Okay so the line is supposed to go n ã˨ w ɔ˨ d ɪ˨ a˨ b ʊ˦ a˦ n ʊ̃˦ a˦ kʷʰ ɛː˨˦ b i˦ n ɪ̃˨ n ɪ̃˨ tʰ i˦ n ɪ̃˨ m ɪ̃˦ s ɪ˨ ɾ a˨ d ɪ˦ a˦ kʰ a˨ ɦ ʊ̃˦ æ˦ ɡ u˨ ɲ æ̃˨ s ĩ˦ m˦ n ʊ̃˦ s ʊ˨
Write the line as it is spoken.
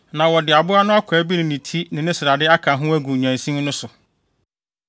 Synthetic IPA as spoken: n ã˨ w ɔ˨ d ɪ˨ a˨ b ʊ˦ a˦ n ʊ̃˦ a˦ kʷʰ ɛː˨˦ b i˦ n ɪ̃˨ n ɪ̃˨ tʰ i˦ n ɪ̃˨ n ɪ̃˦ s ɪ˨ ɾ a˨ d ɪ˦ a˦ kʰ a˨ ɦ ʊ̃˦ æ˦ ɡ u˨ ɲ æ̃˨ s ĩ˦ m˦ n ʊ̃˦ s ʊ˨